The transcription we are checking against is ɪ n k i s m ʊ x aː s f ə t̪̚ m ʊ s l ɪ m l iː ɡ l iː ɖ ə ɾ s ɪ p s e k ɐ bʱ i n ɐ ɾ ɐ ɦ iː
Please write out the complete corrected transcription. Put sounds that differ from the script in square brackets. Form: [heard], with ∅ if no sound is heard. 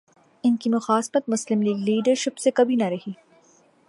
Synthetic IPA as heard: ɪ n k i [∅] m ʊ x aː s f ə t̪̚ m ʊ s l ɪ m l iː ɡ l iː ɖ ə ɾ [ʃ] ɪ p s e k ɐ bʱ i n ɐ ɾ ɐ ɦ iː